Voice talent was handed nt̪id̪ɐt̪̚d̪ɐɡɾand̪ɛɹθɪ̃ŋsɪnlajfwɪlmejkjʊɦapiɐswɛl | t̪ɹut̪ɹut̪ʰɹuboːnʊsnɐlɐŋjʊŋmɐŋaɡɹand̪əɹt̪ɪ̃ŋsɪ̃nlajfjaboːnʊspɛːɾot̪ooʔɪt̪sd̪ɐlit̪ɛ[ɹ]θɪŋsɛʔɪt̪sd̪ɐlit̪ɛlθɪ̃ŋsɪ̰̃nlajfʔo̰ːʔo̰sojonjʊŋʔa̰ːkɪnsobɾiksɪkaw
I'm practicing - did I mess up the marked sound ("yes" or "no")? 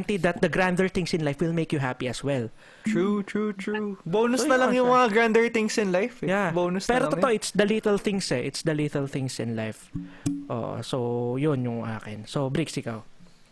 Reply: yes